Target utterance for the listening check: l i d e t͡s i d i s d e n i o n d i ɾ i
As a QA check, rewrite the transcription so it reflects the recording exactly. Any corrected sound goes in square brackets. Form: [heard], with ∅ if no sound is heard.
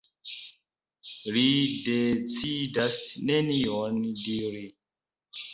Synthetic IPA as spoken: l i d e t͡s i d [a] s [n] e n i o n d i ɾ i

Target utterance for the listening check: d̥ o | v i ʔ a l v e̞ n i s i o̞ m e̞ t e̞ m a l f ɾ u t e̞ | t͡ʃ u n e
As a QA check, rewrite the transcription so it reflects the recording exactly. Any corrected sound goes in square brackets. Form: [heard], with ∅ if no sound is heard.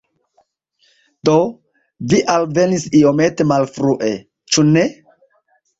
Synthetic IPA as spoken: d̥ o | v i ʔ a l v e̞ n i s i o̞ m e̞ t e̞ m a l f ɾ u [ʔ] e̞ | t͡ʃ u n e

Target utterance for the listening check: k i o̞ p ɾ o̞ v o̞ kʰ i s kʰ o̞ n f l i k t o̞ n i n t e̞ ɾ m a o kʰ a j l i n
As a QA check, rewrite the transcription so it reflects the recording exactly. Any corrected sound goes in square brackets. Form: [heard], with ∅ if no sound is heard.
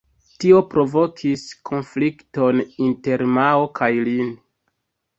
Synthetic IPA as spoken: [t] i o̞ p ɾ o̞ v o̞ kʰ i s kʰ o̞ n f l i k t o̞ n i n t e̞ ɾ m a o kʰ a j l i n

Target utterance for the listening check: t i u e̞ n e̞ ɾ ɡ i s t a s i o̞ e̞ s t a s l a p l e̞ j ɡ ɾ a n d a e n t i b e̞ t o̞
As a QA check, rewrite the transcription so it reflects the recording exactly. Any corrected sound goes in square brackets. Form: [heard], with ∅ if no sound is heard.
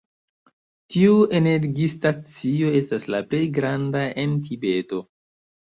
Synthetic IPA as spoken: t i u e̞ n e̞ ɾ ɡ i s t a [t͡s] i o̞ e̞ s t a s l a p l e̞ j ɡ ɾ a n d a e n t i b e̞ t o̞

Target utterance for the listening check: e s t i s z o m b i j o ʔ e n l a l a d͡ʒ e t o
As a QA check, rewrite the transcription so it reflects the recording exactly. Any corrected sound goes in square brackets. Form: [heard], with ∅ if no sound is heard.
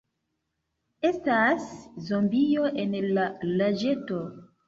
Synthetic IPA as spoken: e s t [a] s z o m b i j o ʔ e n l a l a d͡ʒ e t o

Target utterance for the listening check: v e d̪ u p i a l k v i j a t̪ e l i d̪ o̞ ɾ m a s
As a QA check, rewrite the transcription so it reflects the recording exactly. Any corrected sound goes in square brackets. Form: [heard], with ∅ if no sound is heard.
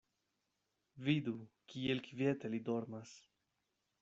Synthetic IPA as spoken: v [i] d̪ u [k] i [e] l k v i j [e] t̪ e l i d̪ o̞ ɾ m a s

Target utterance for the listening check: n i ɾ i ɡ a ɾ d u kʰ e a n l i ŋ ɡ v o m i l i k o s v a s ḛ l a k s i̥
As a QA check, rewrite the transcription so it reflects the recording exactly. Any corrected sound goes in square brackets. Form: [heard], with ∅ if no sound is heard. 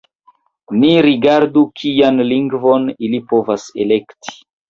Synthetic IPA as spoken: n i ɾ i ɡ a ɾ d u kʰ [i] a n l i ŋ ɡ v o [n] i l i [p] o [∅] v a s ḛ l [e] k [t] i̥

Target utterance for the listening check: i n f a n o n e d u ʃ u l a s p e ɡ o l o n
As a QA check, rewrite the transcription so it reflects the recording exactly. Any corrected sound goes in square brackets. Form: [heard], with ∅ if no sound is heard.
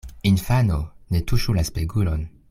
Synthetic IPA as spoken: i n f a n o n e [t] u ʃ u l a s p e ɡ [u] l o n

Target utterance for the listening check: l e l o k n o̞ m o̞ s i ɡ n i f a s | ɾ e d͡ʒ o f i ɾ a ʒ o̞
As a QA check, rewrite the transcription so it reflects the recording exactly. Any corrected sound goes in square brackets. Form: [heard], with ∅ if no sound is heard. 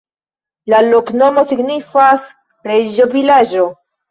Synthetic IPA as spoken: l [a] l o k n o̞ m o̞ s i ɡ n i f a s | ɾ e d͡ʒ o [v] i [l] a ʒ o̞

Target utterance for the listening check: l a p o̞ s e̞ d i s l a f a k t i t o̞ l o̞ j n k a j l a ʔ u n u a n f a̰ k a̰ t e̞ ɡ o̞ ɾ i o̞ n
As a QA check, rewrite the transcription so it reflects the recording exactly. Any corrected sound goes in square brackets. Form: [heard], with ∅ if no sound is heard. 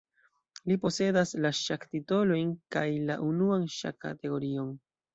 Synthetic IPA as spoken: l [i] p o̞ s e̞ d [a] s l a [ʃ] a k t i t o̞ l o̞ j n k a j l a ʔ u n u a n [ʃ] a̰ k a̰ t e̞ ɡ o̞ ɾ i o̞ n

